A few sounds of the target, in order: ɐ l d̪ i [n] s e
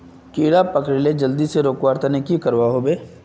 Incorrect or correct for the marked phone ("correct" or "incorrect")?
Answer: incorrect